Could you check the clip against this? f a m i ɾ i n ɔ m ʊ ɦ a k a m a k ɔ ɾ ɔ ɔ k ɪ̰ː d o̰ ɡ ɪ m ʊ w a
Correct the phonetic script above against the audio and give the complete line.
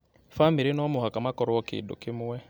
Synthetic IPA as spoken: f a m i ɾ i n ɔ m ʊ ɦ a k a m a k ɔ ɾ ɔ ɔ k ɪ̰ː d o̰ k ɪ m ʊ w ɛ